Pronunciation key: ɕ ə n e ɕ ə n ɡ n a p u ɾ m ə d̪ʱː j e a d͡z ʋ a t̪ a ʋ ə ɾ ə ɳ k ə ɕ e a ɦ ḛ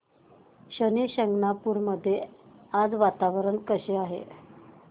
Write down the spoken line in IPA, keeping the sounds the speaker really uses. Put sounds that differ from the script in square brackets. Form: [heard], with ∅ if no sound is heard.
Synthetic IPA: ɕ ə n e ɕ ə [ŋ] ɡ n a p u ɾ m ə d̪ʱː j e a d͡z ʋ a t̪ a ʋ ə ɾ ə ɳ k ə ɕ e a ɦ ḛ